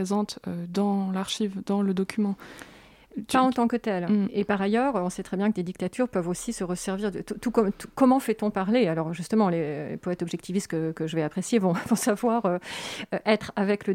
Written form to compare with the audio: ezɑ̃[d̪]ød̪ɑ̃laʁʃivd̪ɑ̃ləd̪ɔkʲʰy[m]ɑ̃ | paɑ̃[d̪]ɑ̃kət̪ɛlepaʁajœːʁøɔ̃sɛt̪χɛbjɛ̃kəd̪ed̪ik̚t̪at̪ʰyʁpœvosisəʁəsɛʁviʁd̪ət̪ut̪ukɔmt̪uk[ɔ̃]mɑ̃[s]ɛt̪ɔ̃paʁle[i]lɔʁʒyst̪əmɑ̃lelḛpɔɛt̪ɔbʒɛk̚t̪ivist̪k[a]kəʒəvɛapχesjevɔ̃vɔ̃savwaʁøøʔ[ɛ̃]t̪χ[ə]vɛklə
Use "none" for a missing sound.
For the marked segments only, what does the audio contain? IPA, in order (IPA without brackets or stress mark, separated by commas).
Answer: t̪, m, t̪, ɔ, f, a, ə, ɛ, a